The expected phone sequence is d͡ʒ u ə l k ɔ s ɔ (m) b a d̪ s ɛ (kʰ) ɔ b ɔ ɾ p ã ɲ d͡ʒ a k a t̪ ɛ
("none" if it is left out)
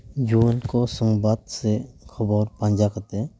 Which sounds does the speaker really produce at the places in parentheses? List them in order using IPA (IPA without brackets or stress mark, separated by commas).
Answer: ŋ, kʰ